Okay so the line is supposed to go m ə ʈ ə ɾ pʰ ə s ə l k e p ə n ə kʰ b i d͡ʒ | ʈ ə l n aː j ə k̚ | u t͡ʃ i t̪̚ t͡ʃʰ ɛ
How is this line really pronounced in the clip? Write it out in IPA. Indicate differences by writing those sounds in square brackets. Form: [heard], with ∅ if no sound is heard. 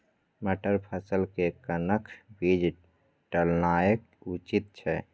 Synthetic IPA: m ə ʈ ə ɾ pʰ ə s ə l k e [k] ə n ə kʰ b i d͡ʒ | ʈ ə l n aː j ə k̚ | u t͡ʃ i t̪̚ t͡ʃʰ ɛ